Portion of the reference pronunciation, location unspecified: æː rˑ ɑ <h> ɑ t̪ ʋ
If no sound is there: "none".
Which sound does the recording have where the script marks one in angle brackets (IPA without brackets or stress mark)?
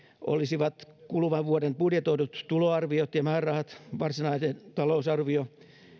h